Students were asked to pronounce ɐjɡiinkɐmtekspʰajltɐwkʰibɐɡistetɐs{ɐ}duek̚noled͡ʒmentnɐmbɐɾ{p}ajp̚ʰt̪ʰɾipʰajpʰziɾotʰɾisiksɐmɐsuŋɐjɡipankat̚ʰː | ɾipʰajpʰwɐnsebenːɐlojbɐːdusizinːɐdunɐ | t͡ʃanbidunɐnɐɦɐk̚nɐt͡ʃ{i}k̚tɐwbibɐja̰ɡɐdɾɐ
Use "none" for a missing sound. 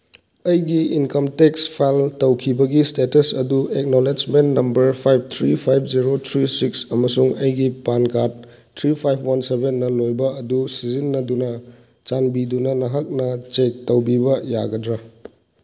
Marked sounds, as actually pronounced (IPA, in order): ɐ, pʰ, e

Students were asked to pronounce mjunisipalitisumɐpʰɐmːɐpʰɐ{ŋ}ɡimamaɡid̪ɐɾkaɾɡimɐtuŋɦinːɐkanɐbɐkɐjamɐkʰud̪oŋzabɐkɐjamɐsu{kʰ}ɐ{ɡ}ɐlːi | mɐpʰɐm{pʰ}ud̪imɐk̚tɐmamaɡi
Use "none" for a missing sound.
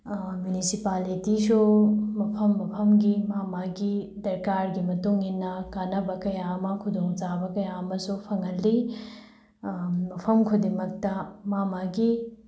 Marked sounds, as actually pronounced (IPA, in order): m, pʰ, ŋ, kʰ

